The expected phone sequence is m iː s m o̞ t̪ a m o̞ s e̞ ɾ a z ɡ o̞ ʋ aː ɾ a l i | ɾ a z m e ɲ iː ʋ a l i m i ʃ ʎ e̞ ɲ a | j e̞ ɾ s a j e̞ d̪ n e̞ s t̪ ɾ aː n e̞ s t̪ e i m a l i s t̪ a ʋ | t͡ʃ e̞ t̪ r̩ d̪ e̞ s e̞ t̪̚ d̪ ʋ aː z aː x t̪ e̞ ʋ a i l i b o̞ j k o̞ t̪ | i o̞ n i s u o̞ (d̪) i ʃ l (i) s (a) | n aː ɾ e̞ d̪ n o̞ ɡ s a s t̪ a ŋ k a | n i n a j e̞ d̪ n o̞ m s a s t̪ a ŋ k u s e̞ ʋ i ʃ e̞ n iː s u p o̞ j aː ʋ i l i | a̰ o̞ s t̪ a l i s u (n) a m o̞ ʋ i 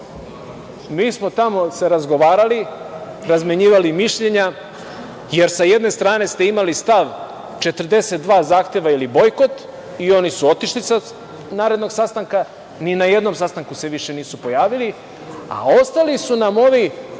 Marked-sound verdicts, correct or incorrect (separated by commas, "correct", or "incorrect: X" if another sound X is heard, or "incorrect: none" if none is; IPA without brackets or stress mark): incorrect: t̪, correct, correct, correct